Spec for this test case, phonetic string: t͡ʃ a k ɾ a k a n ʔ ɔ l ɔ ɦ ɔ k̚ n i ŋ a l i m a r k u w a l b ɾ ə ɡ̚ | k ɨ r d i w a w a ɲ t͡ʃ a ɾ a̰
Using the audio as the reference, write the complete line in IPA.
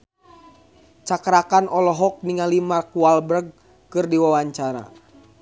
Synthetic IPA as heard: t͡ʃ a k ɾ a k a n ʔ ɔ l ɔ ɦ ɔ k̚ n i ŋ a l i m a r k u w a l b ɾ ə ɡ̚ | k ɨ r d i w a w a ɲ t͡ʃ a ɾ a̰